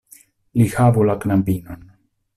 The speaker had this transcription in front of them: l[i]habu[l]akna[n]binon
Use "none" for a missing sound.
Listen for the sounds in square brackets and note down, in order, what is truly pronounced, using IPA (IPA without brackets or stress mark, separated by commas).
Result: i, l, m